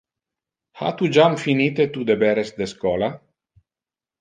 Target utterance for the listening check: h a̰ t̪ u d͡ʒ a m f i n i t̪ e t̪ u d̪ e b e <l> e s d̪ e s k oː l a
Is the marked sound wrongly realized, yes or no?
yes